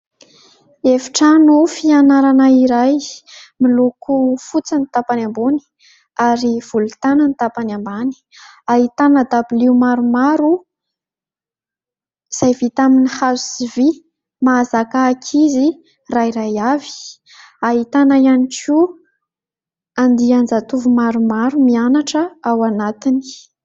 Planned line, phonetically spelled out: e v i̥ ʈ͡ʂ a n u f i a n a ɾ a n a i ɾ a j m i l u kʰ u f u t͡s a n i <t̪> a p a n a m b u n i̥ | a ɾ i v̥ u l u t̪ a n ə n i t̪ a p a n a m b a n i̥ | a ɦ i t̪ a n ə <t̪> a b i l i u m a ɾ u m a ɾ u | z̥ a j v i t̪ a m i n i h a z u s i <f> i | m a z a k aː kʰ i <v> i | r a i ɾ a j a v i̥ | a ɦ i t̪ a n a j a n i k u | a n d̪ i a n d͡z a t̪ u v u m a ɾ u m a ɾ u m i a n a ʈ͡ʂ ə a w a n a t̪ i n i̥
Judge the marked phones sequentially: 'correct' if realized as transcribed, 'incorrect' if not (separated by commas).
correct, incorrect, incorrect, incorrect